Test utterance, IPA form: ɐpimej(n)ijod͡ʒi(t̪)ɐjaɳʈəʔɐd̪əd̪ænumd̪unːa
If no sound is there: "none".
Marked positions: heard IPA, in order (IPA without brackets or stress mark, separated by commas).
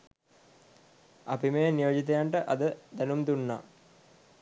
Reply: n, t̪